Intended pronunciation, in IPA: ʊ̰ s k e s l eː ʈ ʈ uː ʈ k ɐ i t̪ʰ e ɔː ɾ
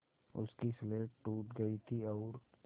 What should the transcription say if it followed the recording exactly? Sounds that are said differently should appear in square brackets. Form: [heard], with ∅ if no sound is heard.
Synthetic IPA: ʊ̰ s k [i] s l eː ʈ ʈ uː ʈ [ɡ] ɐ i t̪ʰ [i] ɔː ɾ

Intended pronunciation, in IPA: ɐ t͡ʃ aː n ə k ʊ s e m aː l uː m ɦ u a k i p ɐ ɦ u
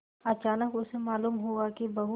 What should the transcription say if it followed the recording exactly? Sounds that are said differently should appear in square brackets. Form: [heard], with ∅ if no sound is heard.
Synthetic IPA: ɐ t͡ʃ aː n ə k ʊ s e m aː l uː m ɦ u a k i [b] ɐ ɦ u

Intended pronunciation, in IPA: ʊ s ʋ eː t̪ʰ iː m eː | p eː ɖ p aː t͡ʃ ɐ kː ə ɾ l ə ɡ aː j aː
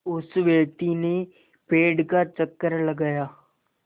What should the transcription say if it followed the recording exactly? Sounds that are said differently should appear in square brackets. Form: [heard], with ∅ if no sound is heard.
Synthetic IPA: ʊ s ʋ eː [t̪] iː [n] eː | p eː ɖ [k] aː t͡ʃ [ə] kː ə ɾ l ə ɡ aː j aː

